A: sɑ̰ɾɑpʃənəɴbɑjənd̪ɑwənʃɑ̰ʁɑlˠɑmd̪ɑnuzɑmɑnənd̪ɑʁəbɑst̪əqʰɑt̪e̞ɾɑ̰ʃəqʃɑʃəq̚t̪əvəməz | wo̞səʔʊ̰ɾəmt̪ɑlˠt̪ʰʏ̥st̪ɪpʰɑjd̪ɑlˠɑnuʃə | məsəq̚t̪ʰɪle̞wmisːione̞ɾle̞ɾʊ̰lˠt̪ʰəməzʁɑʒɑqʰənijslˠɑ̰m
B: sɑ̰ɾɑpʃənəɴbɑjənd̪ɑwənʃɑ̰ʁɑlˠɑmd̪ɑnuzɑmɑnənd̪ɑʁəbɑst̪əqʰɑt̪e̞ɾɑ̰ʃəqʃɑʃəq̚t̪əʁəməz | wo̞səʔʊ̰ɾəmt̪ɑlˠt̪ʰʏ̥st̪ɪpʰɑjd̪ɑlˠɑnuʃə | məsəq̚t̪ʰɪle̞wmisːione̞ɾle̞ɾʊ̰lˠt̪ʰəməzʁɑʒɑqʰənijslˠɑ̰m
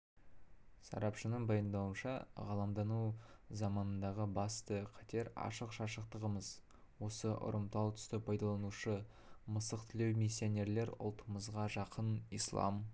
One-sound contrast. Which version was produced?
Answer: B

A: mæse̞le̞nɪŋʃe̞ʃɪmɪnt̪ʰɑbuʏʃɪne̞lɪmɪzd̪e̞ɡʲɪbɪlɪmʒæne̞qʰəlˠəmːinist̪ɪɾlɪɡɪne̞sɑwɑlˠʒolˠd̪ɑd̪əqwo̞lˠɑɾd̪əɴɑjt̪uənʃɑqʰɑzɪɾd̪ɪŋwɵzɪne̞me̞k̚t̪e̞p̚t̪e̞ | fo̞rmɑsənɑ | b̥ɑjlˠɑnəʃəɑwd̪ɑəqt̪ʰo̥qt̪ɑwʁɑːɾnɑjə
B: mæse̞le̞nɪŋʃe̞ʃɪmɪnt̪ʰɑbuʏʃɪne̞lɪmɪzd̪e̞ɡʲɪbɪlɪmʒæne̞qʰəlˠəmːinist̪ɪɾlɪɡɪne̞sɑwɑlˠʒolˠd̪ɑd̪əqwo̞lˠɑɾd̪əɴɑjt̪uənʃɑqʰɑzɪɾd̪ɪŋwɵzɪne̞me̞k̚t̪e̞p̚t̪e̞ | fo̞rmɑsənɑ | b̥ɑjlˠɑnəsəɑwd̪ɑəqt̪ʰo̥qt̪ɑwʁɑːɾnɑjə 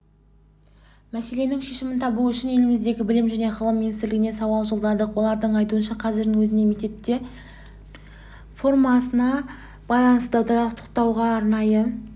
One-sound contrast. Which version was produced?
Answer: B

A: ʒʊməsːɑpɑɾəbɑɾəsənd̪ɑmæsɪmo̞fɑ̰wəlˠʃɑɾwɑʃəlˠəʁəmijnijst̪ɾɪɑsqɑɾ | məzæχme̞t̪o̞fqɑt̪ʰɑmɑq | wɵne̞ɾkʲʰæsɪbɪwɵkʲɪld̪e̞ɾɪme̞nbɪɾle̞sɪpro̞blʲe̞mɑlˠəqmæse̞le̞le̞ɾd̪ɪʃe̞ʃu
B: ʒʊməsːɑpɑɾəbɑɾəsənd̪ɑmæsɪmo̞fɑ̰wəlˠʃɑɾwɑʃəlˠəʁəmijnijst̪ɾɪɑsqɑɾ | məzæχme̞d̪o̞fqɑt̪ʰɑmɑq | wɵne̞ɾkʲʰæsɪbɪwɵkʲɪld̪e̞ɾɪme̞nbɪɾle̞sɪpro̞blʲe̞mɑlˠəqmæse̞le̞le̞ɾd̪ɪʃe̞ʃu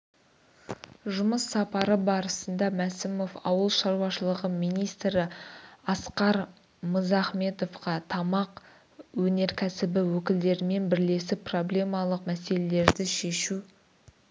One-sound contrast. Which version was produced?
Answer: A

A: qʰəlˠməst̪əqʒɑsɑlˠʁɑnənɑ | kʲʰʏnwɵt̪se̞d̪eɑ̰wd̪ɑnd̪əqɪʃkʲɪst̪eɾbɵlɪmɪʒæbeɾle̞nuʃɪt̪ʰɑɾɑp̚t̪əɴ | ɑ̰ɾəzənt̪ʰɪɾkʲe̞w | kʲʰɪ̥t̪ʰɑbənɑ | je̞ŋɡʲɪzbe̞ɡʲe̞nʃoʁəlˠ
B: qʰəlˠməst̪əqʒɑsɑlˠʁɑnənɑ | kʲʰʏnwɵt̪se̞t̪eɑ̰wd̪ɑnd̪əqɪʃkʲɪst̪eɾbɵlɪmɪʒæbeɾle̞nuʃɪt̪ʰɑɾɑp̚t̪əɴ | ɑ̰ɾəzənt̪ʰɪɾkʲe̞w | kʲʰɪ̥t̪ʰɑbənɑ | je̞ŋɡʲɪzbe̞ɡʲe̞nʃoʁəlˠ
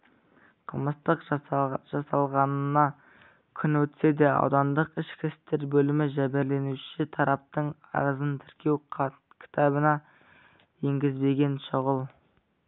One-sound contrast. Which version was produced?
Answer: A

